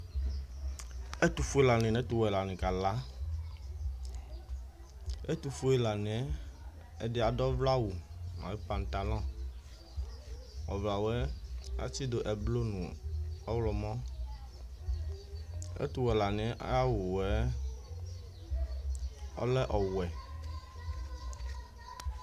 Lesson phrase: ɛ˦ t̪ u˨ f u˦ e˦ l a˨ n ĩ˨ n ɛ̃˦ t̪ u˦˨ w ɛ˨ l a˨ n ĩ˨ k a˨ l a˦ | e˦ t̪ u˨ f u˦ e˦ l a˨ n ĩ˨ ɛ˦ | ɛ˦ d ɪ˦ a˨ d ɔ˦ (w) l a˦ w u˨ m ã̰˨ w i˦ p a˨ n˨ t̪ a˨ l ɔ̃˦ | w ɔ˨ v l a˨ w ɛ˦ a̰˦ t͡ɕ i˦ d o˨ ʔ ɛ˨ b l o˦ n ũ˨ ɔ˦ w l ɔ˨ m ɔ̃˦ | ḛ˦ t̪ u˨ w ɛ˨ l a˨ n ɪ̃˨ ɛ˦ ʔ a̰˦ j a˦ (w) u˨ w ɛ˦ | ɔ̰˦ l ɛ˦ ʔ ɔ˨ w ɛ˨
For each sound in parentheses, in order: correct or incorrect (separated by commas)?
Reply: incorrect, correct